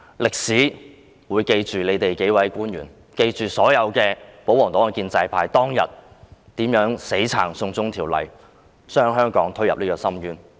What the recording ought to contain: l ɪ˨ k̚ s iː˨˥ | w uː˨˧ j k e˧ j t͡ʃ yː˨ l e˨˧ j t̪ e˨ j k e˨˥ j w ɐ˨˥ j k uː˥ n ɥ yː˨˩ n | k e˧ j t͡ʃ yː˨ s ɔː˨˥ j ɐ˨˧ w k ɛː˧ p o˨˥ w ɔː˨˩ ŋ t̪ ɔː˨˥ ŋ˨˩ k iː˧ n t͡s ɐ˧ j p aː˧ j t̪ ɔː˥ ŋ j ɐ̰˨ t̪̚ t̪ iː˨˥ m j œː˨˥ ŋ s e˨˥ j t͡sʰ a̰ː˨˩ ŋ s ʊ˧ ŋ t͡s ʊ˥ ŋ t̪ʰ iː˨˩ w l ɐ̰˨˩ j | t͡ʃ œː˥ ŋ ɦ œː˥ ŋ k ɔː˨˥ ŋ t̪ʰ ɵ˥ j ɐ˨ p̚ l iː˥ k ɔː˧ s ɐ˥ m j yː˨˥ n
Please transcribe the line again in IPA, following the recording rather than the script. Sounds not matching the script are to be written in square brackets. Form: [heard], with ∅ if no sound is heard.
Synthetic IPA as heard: l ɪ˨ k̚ s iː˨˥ | w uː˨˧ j k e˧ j t͡ʃ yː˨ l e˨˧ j t̪ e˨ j k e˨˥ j w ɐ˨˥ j k uː˥ n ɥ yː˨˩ n | k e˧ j t͡ʃ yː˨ s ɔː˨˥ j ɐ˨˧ w k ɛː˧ p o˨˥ w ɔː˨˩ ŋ t̪ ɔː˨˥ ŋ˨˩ k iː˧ n t͡s ɐ˧ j [pʰ] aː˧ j t̪ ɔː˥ ŋ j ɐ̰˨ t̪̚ t̪ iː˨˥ m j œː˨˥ ŋ s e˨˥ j t͡sʰ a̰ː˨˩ ŋ s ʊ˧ ŋ t͡s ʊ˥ ŋ t̪ʰ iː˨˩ w l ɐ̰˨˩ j | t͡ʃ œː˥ ŋ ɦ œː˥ ŋ k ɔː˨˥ ŋ t̪ʰ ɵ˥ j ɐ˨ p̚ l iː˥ k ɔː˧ s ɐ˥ m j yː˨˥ n